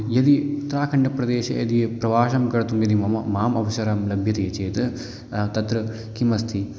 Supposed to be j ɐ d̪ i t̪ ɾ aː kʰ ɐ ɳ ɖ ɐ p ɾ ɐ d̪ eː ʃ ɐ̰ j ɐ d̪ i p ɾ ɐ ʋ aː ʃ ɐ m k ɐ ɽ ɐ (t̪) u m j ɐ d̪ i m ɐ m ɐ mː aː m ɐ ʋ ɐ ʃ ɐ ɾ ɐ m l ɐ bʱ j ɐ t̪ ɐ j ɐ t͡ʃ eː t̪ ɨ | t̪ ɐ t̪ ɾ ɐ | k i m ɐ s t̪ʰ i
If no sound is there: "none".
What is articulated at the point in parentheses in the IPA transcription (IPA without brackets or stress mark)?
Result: t̪